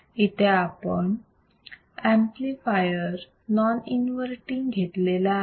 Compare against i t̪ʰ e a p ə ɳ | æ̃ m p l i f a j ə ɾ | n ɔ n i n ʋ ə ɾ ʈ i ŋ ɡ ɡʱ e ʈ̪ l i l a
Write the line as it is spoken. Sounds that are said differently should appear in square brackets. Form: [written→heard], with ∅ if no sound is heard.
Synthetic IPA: i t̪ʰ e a p ə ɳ | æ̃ m p l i f a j ə ɾ | n ɔ n i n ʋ ə ɾ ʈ i ŋ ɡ ɡʱ e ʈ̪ l [i→e] l a